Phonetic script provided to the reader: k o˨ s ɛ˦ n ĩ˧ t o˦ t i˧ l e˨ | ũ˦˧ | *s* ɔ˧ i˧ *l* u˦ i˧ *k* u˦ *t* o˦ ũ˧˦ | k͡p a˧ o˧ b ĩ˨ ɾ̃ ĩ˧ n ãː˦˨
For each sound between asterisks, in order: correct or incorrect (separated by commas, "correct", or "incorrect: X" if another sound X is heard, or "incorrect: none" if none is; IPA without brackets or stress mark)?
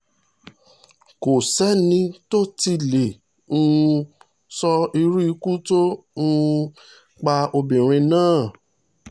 correct, incorrect: ɾ, correct, correct